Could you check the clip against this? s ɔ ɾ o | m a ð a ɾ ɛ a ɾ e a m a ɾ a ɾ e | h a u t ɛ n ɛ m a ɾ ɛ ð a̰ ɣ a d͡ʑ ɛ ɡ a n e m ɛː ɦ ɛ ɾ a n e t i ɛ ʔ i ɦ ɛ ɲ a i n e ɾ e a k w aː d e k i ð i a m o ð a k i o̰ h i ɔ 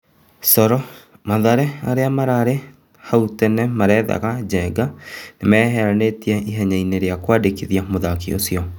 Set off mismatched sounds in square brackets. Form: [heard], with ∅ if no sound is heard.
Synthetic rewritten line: s ɔ ɾ [ɔ] | m a ð a ɾ ɛ a ɾ e a m a ɾ a ɾ e | h a u t ɛ n ɛ m a ɾ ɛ ð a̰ ɣ a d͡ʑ ɛ ɡ a n e m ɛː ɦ ɛ ɾ a n e t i ɛ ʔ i ɦ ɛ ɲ a i n e ɾ e a k w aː d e k i ð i a m o ð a k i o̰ [s] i ɔ